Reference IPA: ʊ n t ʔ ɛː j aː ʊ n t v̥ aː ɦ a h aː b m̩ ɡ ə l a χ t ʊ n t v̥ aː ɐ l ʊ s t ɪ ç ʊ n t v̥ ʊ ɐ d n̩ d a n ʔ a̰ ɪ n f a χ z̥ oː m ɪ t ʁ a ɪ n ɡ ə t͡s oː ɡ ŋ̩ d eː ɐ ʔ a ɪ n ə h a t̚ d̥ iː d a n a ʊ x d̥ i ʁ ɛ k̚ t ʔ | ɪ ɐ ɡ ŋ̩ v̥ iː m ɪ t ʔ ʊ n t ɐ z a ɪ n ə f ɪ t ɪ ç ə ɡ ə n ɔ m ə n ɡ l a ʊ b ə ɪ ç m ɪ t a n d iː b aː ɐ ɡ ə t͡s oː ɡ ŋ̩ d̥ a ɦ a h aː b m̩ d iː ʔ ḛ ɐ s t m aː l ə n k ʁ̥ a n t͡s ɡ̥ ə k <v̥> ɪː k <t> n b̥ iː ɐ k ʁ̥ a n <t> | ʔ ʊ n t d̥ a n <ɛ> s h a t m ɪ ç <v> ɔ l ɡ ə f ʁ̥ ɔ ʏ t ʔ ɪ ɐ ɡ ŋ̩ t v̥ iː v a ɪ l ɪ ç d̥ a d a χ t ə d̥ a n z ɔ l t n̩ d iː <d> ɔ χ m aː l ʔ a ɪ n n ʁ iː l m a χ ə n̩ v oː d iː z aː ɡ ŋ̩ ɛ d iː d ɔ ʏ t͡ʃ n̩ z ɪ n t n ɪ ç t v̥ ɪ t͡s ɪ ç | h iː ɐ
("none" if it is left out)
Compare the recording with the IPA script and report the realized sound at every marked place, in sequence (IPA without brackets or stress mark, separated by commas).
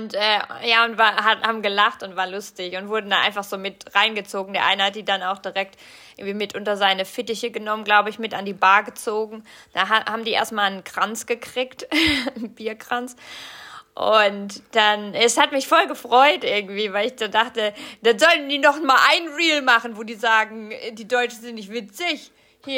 ʁ̥, t, t͡s, ɛ, f, n